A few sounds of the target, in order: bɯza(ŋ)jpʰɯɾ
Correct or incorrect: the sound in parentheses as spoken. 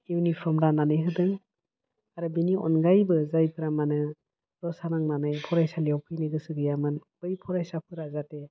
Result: incorrect: none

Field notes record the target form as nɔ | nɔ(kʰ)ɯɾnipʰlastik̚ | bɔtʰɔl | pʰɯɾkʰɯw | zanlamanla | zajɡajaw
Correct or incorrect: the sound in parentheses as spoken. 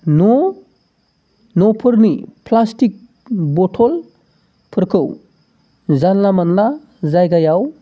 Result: incorrect: pʰ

